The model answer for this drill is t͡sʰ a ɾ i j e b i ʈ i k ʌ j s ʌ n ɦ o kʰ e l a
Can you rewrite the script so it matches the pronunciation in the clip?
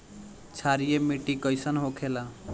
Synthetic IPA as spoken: t͡sʰ a ɾ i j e m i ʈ i k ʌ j s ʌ n ɦ o kʰ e l a